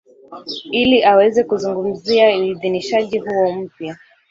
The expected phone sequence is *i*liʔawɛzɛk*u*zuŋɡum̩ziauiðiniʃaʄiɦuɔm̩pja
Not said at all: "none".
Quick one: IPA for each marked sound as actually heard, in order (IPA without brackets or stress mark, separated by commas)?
i, u